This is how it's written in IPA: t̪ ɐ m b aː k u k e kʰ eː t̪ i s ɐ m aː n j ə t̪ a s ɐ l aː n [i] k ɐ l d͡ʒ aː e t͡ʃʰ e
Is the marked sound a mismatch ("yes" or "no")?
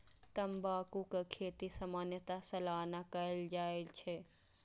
yes